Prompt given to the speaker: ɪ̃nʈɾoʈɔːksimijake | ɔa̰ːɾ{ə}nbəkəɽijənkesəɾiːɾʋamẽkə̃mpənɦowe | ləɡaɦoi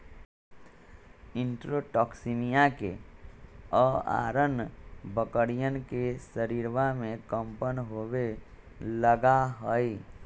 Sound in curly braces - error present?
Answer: no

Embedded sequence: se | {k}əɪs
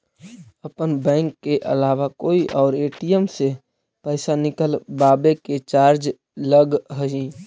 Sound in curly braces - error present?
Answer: yes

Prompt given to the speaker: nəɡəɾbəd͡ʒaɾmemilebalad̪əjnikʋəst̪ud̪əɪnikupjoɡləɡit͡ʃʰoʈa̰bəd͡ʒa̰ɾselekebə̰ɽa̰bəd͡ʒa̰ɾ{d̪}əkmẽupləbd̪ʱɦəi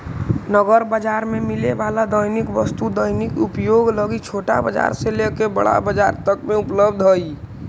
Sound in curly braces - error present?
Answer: yes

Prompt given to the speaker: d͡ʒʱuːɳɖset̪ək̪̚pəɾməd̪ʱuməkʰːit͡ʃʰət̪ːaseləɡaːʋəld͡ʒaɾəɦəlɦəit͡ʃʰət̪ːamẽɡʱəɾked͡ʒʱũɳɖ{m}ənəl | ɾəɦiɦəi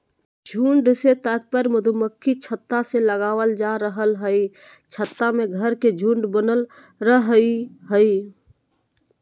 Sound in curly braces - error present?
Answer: yes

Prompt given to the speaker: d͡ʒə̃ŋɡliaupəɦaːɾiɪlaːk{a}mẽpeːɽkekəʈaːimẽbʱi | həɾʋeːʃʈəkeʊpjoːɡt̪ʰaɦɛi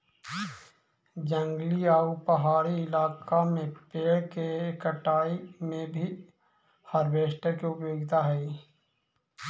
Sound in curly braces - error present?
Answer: no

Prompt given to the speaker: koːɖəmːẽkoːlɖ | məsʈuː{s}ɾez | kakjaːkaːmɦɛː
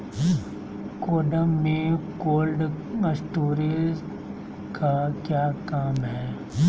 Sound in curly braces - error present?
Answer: yes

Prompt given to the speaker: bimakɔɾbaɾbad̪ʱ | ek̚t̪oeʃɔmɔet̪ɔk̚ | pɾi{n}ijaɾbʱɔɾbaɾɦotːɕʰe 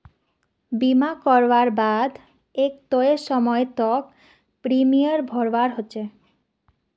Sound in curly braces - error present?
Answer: yes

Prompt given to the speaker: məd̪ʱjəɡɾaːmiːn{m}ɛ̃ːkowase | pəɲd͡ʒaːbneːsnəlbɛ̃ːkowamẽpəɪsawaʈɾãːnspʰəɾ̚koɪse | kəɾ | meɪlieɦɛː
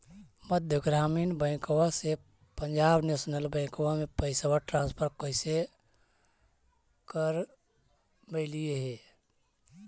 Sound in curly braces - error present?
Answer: yes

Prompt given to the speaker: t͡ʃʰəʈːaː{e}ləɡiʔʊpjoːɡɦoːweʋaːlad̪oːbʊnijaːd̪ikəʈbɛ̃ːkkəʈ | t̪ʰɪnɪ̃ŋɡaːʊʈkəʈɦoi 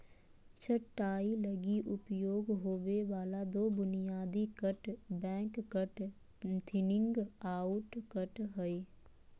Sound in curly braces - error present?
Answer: yes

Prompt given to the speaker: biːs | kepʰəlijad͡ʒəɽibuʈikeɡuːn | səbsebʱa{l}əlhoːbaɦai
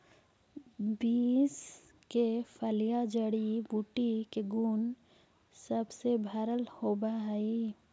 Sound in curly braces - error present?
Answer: yes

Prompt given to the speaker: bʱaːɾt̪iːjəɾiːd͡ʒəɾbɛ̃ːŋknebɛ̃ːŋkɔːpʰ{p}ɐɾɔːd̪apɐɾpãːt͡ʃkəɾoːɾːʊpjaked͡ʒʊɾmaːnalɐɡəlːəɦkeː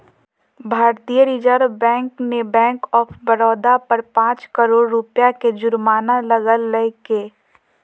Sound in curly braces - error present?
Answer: yes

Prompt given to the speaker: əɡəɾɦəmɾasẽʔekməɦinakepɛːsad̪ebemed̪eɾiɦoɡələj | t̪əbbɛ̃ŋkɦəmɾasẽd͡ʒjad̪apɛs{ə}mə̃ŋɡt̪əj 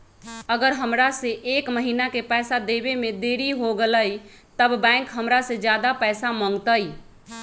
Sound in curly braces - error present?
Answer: yes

